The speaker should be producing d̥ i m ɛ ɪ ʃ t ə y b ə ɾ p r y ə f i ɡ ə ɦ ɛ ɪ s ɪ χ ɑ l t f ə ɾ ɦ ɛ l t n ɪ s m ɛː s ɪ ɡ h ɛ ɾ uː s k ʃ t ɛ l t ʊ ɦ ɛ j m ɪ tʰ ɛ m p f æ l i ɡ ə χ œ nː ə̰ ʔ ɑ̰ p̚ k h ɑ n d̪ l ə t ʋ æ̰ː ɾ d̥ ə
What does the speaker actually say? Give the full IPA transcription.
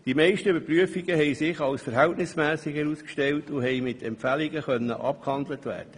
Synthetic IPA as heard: d̥ i m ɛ ɪ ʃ t ə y b ə ɾ p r y ə f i ɡ ə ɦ ɛ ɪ s ɪ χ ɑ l s f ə ɾ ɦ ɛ l t n ɪ s m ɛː s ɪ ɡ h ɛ ɾ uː s k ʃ t ɛ l t ʊ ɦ ɛ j m ɪ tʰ ɛ m p f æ l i ɡ ə χ œ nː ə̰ ʔ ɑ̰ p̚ k h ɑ n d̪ l ə t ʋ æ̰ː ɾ d̥ ə